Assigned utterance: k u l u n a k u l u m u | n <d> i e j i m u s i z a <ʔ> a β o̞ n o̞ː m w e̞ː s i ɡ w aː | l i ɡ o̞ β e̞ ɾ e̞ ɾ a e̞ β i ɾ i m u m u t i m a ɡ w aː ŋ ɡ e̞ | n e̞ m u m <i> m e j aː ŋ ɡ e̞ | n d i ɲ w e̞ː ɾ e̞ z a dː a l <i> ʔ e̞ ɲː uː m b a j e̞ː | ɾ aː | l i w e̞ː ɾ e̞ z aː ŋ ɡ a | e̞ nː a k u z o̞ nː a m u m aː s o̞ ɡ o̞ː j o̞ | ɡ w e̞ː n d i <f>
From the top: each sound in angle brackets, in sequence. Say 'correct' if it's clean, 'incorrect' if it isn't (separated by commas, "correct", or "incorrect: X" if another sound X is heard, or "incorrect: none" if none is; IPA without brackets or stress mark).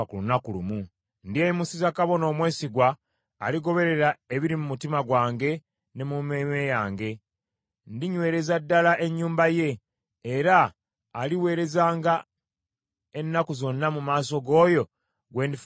correct, incorrect: k, incorrect: e, incorrect: a, correct